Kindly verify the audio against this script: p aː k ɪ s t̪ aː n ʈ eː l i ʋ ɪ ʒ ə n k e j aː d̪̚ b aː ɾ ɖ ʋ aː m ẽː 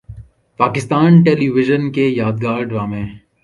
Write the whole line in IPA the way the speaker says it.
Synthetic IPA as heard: p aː k ɪ s t̪ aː n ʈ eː l i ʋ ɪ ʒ ə n k e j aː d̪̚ ɡ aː ɾ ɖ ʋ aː m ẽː